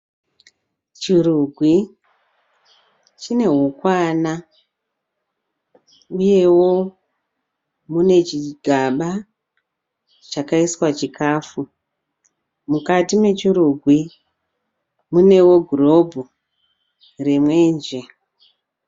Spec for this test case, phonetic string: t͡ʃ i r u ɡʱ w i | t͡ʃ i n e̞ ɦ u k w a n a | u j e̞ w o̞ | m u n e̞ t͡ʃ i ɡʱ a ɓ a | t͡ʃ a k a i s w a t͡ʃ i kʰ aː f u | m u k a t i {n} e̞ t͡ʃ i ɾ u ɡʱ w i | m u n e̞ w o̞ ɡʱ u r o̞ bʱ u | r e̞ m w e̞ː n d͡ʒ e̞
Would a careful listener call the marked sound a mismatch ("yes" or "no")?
yes